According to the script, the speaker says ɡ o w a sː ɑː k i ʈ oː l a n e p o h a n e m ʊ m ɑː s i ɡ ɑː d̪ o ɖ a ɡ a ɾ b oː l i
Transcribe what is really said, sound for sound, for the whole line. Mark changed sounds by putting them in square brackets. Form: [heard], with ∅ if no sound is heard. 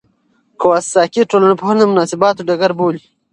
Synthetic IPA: [k] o w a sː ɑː k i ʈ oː l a n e p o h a n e m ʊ [n] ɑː s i [b] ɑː [t̪] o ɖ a ɡ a ɾ b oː l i